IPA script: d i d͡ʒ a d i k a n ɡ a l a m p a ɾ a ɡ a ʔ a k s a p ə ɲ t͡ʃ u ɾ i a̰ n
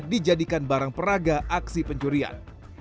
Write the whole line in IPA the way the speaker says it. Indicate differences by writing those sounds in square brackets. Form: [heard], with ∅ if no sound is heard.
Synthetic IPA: d i d͡ʒ a d i k a n [b] a [ɾ] a [ŋ] p [ə] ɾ a ɡ a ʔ a k s [i] p ə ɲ t͡ʃ u ɾ i a̰ n